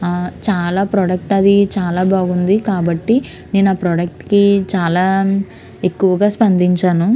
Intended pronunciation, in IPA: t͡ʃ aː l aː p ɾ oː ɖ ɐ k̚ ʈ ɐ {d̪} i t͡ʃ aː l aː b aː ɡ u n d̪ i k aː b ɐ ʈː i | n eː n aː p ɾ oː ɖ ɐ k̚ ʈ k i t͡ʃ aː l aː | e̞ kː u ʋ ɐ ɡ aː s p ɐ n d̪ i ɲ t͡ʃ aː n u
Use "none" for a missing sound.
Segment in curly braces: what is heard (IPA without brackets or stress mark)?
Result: d̪